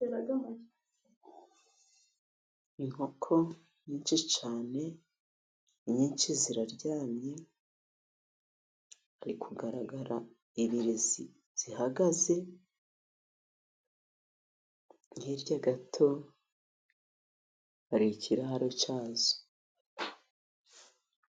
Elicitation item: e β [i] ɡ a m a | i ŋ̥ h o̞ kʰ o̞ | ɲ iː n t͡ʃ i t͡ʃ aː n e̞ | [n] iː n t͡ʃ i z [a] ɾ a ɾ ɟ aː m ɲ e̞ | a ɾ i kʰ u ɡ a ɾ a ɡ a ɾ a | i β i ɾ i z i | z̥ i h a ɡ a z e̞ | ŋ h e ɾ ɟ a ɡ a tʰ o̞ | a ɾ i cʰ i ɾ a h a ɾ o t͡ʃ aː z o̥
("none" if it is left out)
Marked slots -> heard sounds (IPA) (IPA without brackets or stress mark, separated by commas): a, ɲ, i